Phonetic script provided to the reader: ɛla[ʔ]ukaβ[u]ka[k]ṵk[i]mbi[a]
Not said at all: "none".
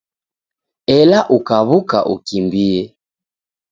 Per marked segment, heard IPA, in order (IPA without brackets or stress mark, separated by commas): ʔ, u, ʔ, i, ɛ